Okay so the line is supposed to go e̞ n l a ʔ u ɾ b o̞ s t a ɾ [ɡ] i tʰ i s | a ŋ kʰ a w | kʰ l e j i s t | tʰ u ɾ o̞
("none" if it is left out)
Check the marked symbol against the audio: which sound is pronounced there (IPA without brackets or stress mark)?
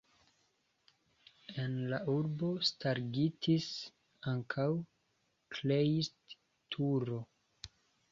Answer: ɡ